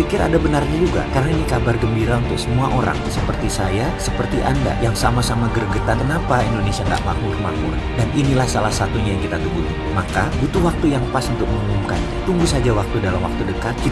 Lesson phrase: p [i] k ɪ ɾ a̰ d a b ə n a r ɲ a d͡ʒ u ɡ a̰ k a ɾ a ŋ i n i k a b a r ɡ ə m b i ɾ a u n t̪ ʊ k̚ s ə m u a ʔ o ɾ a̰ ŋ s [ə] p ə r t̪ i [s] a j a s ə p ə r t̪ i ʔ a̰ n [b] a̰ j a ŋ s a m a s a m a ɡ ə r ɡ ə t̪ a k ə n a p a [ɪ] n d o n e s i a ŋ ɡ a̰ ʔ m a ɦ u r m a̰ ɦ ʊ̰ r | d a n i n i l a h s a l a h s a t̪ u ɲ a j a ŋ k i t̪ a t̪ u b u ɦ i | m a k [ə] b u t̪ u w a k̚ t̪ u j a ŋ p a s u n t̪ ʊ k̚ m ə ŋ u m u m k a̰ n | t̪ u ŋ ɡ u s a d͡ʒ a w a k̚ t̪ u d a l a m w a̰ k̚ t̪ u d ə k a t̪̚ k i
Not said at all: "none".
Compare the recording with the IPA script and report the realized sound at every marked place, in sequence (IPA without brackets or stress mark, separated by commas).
i, ə, s, d, i, a